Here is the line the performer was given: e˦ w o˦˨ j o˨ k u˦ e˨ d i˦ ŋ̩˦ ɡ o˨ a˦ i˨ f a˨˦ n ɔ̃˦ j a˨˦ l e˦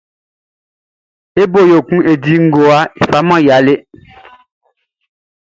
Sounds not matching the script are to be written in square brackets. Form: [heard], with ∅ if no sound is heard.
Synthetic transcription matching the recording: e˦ [b] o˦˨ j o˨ k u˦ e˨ d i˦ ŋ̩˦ ɡ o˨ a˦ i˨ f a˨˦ [m] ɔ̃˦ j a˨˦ l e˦